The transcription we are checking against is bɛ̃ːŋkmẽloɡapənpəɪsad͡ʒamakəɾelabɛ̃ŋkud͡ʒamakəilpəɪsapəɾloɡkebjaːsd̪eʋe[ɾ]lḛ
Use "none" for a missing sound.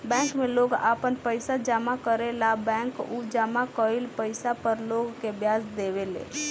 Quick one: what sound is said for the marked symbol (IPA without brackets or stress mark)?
none